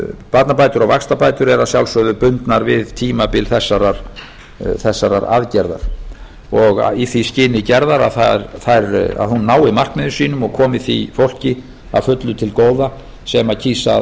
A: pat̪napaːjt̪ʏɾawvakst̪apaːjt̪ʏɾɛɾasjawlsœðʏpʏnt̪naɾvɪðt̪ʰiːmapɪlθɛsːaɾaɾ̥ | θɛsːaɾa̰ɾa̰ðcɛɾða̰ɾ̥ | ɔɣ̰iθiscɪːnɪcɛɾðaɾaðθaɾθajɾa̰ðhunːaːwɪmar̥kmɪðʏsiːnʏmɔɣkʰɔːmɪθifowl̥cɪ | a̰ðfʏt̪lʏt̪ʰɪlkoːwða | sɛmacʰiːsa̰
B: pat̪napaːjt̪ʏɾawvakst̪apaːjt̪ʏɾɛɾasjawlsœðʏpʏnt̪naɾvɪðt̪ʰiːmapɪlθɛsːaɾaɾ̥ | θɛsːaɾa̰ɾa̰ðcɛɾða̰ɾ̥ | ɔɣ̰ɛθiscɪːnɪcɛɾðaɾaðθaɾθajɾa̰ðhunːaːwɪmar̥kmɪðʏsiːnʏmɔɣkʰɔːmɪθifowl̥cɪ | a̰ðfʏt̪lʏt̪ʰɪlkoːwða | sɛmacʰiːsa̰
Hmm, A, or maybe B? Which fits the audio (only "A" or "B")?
A